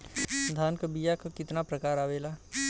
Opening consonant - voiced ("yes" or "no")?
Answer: yes